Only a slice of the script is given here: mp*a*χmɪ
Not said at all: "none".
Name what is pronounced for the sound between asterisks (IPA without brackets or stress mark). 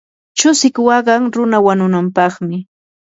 ɑ